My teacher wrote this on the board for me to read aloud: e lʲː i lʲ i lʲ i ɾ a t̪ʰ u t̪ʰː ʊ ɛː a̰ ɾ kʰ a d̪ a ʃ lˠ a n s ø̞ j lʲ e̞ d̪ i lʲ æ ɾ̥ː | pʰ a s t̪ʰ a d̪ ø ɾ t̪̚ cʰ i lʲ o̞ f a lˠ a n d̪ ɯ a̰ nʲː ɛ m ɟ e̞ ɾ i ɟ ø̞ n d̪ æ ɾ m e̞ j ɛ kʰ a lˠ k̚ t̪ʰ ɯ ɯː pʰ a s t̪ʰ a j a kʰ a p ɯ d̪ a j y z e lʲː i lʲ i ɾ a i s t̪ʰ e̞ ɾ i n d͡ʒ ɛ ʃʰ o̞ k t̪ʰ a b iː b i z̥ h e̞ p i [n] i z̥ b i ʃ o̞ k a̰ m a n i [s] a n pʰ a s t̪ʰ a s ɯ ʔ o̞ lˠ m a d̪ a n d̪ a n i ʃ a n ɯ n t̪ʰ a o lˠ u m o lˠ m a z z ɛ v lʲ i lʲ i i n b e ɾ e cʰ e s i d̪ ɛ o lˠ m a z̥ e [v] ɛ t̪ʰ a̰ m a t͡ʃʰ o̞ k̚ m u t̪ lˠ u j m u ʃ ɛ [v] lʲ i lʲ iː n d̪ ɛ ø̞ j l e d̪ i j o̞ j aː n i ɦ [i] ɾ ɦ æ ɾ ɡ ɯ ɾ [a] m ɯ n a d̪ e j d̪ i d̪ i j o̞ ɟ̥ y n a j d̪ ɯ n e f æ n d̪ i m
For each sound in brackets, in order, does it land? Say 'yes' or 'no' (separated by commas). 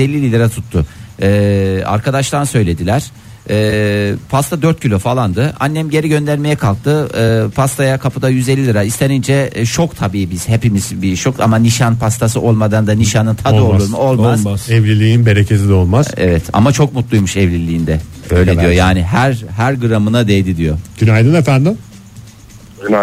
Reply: no, no, yes, yes, no, yes